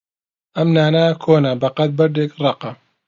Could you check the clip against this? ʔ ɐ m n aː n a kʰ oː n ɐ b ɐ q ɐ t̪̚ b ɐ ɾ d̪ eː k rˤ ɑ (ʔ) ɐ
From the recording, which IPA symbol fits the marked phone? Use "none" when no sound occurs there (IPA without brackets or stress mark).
q